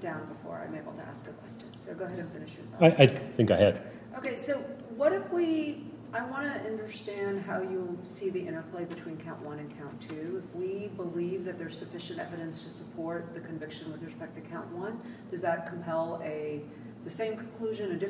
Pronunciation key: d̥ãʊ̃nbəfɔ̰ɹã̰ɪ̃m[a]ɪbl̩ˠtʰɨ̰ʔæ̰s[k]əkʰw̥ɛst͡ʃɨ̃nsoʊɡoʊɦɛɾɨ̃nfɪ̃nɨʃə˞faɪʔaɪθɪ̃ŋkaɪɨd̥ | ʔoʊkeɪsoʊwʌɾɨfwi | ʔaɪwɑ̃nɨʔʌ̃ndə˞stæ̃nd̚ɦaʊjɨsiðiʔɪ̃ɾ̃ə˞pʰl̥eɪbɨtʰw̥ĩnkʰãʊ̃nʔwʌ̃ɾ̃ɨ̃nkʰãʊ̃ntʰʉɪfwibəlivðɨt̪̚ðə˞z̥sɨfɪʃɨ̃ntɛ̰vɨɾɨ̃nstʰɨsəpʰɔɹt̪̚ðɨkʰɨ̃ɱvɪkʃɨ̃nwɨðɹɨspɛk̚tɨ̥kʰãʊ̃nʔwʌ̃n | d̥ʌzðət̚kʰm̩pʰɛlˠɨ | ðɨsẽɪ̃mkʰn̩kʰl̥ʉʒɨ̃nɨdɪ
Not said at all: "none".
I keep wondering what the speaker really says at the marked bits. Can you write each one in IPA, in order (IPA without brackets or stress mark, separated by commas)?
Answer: e, k